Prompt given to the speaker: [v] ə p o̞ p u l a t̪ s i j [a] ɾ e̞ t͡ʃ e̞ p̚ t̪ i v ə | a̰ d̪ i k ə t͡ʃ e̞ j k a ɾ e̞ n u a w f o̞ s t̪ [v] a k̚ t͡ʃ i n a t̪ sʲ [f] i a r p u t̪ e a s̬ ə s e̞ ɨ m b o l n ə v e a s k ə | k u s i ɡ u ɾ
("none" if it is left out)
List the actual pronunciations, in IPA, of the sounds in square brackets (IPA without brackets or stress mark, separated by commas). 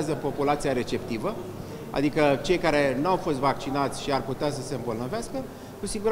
z, a, v, ʃ